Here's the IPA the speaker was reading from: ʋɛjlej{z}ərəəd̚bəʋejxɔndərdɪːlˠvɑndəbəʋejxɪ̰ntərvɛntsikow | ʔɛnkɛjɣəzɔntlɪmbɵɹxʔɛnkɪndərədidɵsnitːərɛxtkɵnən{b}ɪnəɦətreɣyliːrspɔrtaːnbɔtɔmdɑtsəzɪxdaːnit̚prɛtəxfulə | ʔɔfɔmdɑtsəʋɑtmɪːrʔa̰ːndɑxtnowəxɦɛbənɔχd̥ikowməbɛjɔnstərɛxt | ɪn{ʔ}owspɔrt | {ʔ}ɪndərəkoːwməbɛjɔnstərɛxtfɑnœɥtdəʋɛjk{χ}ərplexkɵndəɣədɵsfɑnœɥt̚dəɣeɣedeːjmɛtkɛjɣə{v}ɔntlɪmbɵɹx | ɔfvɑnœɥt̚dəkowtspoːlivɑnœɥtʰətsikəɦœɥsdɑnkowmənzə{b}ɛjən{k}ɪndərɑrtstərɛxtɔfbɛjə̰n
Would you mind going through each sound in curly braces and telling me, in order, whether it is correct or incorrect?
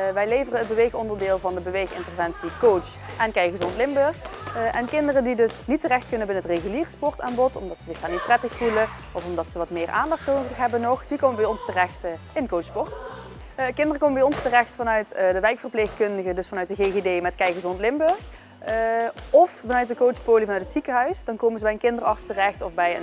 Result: incorrect: v, correct, incorrect: k, incorrect: k, incorrect: f, incorrect: z, correct, correct

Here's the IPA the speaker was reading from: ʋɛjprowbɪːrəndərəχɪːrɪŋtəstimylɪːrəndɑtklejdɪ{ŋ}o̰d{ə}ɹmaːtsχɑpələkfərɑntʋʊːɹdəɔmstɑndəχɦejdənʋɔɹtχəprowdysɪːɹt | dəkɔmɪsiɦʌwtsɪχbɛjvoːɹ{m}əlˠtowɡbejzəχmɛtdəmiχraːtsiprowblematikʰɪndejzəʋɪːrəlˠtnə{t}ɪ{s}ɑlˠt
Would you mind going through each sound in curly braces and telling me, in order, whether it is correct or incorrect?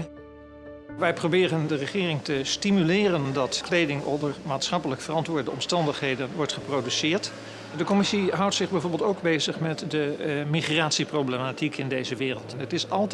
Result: correct, correct, incorrect: b, correct, correct

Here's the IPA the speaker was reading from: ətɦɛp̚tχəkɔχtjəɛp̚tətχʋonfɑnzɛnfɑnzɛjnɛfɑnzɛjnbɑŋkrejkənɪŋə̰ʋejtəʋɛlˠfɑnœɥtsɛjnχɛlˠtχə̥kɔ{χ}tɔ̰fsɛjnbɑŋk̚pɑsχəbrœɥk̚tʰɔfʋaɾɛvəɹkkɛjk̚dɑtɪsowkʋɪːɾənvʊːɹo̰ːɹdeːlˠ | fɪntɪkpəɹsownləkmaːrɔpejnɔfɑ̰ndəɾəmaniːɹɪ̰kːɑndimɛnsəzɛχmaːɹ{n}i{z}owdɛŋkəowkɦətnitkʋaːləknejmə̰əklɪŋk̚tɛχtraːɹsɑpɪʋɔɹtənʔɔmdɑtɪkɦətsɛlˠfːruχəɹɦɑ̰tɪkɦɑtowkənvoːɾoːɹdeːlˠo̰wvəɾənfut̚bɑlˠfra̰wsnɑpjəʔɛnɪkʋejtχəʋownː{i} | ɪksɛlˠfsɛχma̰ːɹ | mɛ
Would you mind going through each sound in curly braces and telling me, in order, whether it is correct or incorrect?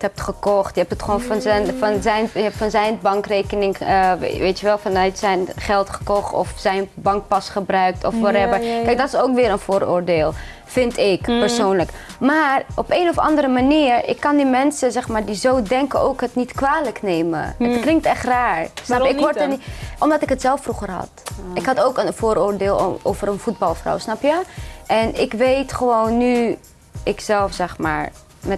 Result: correct, incorrect: d, correct, incorrect: y

